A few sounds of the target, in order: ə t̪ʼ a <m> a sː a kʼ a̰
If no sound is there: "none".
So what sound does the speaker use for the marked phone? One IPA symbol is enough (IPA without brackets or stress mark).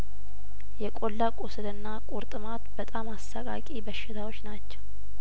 m